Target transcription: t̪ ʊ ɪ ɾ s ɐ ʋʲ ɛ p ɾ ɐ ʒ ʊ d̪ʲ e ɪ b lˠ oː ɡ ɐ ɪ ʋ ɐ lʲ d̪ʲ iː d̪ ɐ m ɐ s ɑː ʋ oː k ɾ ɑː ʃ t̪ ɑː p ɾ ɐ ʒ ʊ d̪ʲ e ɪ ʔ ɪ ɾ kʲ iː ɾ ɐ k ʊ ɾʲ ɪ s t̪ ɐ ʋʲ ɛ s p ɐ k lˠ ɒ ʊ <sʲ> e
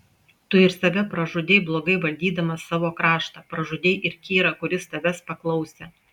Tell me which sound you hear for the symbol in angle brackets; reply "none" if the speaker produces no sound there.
sʲ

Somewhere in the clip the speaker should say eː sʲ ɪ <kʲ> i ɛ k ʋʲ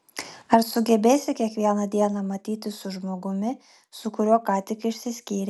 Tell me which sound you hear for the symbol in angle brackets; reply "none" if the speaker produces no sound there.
kʲ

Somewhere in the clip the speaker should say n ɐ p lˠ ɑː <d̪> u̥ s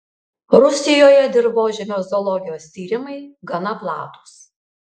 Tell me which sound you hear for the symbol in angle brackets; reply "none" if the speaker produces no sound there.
t̪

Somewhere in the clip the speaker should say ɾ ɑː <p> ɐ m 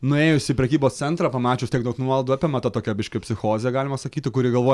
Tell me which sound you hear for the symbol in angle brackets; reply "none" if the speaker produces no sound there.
p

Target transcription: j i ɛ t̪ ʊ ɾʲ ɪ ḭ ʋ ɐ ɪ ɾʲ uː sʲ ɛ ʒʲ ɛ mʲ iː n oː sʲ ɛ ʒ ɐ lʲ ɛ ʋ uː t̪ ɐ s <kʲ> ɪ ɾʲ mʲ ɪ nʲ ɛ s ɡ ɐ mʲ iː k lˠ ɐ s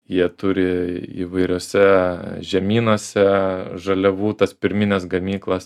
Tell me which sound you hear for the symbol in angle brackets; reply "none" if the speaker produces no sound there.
pʲ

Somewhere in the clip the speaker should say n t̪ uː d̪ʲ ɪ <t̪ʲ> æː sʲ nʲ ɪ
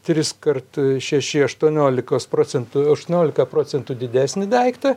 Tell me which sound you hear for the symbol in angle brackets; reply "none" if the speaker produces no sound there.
d̪ʲ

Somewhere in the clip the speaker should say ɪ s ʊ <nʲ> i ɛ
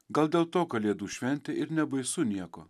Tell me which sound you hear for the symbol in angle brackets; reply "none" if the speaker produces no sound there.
nʲ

